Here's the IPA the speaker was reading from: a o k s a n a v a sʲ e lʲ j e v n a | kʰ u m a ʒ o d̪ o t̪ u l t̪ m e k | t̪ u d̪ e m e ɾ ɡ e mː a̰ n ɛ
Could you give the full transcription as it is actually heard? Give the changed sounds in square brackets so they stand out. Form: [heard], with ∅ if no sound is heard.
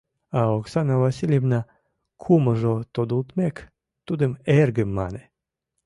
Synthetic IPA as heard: a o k s a n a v a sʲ [i] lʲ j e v n a | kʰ u m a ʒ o [t̪] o [d̪] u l t̪ m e k | t̪ u d̪ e m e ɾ ɡ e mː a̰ n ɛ

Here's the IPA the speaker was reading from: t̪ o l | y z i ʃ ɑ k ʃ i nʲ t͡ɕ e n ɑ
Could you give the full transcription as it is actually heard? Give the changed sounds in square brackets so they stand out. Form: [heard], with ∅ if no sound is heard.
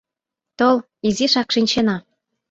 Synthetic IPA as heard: t̪ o l | [i] z i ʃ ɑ k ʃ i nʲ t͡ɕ e n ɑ

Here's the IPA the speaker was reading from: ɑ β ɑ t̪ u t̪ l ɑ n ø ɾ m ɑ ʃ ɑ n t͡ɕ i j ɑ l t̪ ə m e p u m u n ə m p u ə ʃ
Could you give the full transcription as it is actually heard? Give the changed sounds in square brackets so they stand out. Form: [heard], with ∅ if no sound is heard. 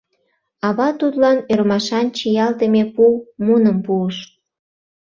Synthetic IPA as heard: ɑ β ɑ t̪ u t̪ l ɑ n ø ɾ m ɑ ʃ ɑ n t͡ɕ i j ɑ l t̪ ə m e p u m u n ə m p u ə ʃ

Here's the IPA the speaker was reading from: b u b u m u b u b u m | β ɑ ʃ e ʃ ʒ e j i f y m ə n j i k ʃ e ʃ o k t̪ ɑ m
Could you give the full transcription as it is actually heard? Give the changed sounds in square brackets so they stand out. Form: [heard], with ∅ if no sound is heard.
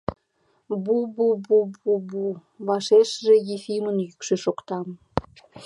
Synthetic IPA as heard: b u b u [b] u b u b u [∅] | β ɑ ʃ e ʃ ʒ e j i f [i] m ə n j [y] k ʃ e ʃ o k t̪ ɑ m

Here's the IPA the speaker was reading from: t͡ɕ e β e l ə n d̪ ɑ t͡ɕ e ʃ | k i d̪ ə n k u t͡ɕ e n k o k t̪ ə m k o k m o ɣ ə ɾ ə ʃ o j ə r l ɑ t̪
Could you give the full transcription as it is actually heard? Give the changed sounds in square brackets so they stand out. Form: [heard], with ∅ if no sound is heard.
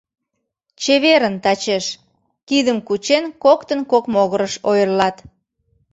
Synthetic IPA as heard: t͡ɕ e β e [ɾ] ə n [t̪] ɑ t͡ɕ e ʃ | k i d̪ ə [m] k u t͡ɕ e n k o k t̪ ə [n] k o k m o ɣ ə ɾ ə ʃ o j ə r l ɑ t̪

